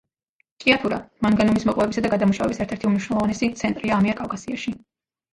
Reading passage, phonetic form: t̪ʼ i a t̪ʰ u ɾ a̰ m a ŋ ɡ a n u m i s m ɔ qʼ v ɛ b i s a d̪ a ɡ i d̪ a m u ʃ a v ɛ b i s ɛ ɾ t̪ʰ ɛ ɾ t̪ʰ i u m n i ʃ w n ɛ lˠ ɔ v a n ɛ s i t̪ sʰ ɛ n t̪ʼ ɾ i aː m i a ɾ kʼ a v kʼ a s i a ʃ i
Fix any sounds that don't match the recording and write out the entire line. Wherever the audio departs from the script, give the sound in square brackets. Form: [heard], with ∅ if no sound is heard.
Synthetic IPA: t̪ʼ i a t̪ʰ u ɾ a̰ m a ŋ ɡ a n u m i s m ɔ qʼ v ɛ b i s a d̪ a ɡ [a] d̪ a m u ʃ a v ɛ b i s ɛ ɾ t̪ʰ ɛ ɾ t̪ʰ i u m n i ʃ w n ɛ lˠ ɔ v a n ɛ s i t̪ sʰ ɛ n t̪ʼ ɾ i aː m i a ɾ kʼ a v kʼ a s i a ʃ i

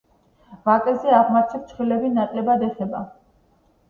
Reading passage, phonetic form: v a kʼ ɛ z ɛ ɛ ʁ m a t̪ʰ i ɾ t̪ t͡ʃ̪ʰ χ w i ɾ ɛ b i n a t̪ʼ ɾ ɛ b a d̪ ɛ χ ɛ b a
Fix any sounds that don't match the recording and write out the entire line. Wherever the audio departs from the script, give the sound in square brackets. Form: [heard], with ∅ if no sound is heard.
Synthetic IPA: v a kʼ ɛ z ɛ [a] ʁ m a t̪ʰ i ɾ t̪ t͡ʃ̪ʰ χ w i [l] ɛ b i n a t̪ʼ [l] ɛ b a d̪ ɛ χ ɛ b a

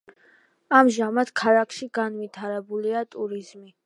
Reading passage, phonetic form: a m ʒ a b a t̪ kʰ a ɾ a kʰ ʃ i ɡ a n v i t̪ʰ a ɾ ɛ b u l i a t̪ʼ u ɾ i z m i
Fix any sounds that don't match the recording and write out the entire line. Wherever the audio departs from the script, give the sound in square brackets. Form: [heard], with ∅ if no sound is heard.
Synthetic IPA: a m ʒ a [m] a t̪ kʰ a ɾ a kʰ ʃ i ɡ a n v i t̪ʰ a ɾ ɛ b u l i a t̪ʼ u ɾ i z m i

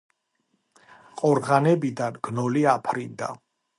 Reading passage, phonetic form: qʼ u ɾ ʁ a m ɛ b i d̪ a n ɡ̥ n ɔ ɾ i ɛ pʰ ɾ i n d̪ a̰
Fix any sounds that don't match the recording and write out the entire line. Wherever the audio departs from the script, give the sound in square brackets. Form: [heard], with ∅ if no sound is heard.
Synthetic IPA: qʼ [ɔ] ɾ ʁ a [n] ɛ b i d̪ a n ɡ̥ n ɔ [l] i [a] pʰ ɾ i n d̪ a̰

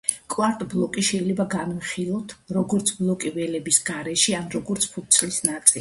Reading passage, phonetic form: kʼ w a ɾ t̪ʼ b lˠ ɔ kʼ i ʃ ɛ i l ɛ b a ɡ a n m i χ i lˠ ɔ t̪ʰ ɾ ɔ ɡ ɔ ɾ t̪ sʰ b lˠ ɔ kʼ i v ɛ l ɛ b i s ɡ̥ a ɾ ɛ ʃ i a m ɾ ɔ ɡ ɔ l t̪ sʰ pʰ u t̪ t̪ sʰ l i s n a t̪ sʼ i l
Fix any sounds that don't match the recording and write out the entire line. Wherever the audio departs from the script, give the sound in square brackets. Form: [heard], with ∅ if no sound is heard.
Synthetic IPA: kʼ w a ɾ t̪ʼ b lˠ ɔ kʼ i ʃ ɛ i l ɛ b a ɡ a n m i χ i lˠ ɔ t̪ʰ ɾ ɔ ɡ ɔ ɾ t̪ sʰ b lˠ ɔ kʼ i v ɛ l ɛ b i s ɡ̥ a ɾ ɛ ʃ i a [n] ɾ ɔ ɡ ɔ [ɾ] t̪ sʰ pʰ u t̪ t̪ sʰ l i s n a t̪ sʼ i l

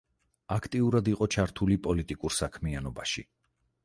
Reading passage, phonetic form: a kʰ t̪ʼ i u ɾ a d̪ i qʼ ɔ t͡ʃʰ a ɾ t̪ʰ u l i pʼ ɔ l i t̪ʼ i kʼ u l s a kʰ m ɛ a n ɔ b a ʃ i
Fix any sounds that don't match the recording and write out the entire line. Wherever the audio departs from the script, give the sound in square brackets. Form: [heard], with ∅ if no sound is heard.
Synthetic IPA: a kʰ t̪ʼ i u ɾ a d̪ i qʼ ɔ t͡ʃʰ a ɾ t̪ʰ u l i pʼ ɔ l i t̪ʼ i kʼ u [ɾ] s a kʰ m [i] a n ɔ b a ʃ i

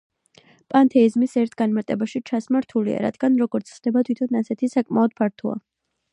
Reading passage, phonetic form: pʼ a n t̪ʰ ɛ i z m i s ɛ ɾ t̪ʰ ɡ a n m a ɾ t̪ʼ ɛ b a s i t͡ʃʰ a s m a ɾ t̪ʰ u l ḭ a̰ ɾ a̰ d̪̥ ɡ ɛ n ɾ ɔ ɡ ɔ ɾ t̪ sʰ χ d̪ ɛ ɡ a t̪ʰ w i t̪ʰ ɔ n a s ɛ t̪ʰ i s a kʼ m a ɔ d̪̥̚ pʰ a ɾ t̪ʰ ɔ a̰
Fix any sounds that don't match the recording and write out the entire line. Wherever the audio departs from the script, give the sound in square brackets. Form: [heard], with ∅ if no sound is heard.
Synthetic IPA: pʼ a n t̪ʰ ɛ i z m i s ɛ ɾ t̪ʰ ɡ a n m a ɾ t̪ʼ ɛ b a [ʃ] i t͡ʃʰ a s m a ɾ t̪ʰ u l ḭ a̰ ɾ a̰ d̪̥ ɡ [a] n ɾ ɔ ɡ ɔ ɾ t̪ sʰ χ d̪ ɛ [b] a t̪ʰ w i t̪ʰ ɔ n a s ɛ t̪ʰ i s a kʼ m a ɔ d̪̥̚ pʰ a ɾ t̪ʰ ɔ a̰

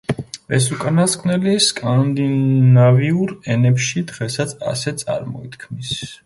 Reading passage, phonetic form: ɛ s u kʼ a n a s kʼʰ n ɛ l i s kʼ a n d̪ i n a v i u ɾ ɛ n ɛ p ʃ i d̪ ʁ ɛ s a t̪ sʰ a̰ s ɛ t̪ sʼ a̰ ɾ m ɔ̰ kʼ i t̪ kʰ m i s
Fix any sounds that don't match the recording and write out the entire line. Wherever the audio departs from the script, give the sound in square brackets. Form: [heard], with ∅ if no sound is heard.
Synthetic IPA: ɛ s u kʼ a n a s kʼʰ n ɛ l i s kʼ a n d̪ i n a v i u ɾ ɛ n ɛ p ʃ i d̪ ʁ ɛ s a t̪ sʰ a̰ s ɛ t̪ sʼ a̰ ɾ m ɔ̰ [∅] i t̪ kʰ m i s

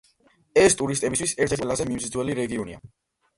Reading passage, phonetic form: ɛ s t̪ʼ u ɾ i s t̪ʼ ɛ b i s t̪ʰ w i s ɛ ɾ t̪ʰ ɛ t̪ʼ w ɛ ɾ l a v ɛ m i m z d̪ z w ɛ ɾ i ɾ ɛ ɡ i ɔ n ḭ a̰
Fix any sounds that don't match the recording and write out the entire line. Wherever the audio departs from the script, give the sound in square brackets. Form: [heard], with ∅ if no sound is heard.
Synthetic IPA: ɛ s t̪ʼ u ɾ i s t̪ʼ ɛ b i s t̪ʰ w i s ɛ ɾ t̪ʰ ɛ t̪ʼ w ɛ [∅] l a [z] ɛ m i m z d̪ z w ɛ [l] i ɾ ɛ ɡ i ɔ n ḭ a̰

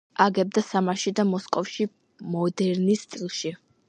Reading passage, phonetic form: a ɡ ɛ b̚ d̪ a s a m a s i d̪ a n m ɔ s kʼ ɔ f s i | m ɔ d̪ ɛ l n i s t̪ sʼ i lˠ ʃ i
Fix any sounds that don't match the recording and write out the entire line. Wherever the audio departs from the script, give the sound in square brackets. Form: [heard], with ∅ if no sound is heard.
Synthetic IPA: a ɡ ɛ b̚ d̪ a s a m a [ʃ] i d̪ a [∅] m ɔ s kʼ ɔ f [ʃ] i | m ɔ d̪ ɛ [ɾ] n i s t̪ sʼ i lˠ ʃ i

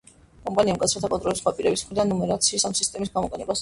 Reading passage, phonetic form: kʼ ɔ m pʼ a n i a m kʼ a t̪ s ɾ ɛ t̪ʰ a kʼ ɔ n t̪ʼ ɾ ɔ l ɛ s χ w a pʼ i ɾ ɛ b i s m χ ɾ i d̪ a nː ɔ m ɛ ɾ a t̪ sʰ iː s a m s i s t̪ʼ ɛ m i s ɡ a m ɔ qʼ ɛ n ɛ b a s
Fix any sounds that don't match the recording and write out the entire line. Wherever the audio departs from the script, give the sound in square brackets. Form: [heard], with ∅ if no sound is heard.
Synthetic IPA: kʼ ɔ m pʼ a n i a m kʼ a t̪ s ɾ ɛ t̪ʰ a kʼ ɔ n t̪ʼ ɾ ɔ l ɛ s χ w a pʼ i ɾ ɛ b i s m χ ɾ i d̪ a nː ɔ m ɛ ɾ a t̪ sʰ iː s a m s i s t̪ʼ ɛ m i s ɡ a m ɔ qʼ ɛ n ɛ b a s

